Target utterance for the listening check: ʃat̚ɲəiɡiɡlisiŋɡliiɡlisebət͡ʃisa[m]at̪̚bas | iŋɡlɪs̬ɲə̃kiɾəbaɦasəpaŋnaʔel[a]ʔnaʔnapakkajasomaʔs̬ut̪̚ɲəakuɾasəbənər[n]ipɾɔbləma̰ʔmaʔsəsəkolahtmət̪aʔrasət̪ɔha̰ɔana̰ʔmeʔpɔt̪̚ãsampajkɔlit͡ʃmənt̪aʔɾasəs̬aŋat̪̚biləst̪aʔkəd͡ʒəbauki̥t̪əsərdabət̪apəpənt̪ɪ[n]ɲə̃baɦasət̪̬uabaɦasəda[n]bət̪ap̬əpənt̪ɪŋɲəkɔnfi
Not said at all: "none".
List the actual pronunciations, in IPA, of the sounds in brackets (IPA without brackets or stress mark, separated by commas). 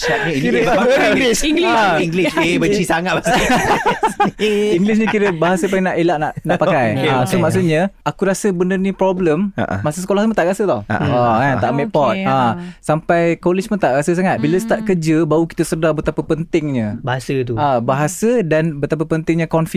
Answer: ŋ, a, n, ŋ, n